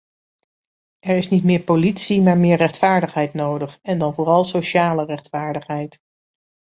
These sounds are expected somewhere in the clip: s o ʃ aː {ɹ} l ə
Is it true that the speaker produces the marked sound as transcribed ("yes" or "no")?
no